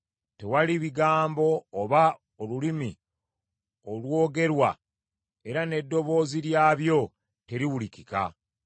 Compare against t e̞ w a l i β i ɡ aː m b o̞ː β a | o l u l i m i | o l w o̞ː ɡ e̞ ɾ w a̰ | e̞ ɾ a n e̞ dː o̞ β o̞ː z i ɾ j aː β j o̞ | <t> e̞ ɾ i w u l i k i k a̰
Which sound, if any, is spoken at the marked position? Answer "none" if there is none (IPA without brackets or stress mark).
t